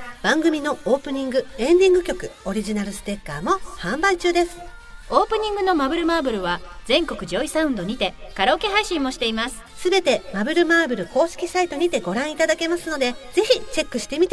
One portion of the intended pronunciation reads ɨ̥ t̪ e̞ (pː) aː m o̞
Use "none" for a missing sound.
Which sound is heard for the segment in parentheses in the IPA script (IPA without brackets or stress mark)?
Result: kː